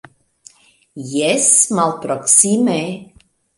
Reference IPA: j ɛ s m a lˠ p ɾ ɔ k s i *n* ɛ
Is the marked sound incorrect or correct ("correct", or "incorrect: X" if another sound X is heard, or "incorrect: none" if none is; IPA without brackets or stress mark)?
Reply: incorrect: m